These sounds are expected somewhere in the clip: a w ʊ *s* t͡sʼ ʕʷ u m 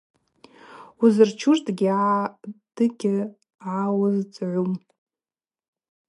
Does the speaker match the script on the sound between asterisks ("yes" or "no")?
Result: no